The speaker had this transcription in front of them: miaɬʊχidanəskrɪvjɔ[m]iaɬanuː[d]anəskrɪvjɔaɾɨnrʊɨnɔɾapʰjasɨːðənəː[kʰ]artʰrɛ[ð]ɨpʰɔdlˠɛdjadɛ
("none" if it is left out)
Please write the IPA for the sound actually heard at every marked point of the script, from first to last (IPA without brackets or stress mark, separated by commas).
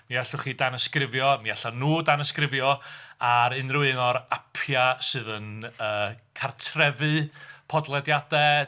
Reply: m, d, kʰ, v